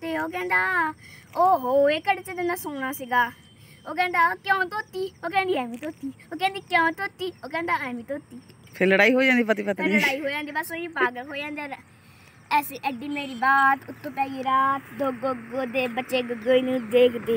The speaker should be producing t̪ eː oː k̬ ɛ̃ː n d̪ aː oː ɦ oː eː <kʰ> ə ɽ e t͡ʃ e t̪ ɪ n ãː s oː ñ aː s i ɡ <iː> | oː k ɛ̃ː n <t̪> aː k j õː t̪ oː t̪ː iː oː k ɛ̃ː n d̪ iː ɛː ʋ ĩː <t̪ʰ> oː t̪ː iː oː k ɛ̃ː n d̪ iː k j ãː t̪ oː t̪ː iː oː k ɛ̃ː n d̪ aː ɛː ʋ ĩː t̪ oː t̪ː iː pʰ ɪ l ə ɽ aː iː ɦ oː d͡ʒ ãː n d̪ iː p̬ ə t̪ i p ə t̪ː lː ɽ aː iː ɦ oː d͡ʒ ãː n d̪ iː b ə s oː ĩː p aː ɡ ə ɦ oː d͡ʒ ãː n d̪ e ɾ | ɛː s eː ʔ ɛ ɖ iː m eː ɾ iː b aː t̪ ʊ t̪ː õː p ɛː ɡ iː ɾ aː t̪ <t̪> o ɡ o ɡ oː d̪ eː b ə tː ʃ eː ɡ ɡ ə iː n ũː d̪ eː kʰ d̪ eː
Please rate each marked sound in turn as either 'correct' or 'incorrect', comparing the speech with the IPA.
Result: incorrect, incorrect, incorrect, incorrect, incorrect

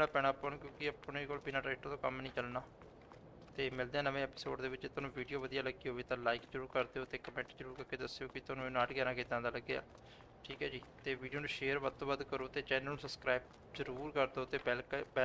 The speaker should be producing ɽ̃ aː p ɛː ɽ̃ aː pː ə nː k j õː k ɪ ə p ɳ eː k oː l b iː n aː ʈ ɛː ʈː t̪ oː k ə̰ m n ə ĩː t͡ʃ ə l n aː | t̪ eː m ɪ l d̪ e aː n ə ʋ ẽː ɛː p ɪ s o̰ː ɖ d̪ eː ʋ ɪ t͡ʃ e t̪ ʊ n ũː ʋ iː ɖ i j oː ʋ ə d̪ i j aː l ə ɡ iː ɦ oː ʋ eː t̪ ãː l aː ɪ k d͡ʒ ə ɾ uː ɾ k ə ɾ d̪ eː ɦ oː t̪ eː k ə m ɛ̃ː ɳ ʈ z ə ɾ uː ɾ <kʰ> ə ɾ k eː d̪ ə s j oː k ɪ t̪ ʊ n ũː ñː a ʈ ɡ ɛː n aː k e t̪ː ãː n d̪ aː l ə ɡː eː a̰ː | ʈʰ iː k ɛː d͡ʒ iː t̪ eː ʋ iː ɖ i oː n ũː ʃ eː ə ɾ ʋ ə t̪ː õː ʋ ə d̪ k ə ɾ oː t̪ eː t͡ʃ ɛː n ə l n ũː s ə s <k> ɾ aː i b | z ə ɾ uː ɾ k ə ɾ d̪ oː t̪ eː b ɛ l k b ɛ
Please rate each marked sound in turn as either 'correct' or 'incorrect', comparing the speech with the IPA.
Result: incorrect, correct

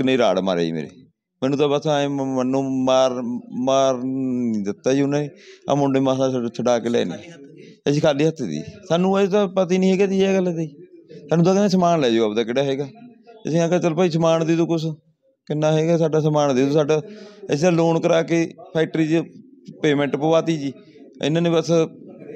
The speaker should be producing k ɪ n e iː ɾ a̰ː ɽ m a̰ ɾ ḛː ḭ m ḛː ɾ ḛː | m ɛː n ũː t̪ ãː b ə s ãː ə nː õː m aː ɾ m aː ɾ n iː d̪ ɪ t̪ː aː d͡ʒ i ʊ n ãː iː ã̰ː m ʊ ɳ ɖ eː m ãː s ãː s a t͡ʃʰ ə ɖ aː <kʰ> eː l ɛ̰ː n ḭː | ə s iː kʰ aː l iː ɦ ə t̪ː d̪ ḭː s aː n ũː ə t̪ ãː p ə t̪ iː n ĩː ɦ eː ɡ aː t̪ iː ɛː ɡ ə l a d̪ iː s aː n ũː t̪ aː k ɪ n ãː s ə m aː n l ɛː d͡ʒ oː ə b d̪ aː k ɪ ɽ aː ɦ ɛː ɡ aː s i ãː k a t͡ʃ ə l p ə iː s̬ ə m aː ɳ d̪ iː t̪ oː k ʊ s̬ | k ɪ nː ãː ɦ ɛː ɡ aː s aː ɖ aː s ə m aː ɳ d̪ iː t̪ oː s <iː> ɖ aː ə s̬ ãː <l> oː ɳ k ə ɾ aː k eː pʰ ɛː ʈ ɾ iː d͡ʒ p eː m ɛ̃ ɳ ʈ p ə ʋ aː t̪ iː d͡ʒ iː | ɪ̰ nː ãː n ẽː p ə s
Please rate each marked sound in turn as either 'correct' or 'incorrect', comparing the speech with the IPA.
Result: incorrect, incorrect, correct

